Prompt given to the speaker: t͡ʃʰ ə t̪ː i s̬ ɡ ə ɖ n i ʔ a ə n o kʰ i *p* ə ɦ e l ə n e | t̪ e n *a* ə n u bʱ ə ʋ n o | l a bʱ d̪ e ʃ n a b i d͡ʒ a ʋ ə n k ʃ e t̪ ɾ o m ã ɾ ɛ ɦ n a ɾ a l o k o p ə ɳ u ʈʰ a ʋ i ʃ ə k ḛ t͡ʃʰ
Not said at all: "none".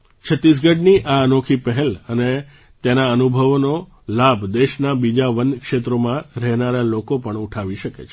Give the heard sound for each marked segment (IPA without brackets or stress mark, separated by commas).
p, a